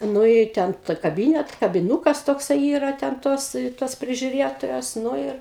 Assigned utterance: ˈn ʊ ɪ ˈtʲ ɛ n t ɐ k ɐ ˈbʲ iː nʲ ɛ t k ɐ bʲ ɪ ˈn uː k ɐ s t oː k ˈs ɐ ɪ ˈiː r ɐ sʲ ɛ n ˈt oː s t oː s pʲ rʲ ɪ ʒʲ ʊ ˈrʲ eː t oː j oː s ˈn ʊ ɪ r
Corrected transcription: ˈn ʊ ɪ ˈtʲ ɛ n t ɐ k ɐ ˈbʲ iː nʲ ɛ t k ɐ bʲ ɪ ˈn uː k ɐ s t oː k ˈs ɐ ɪ ˈiː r ɐ tʲ ɛ n ˈt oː s t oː s pʲ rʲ ɪ ʒʲ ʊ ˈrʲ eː t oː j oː s ˈn ʊ ɪ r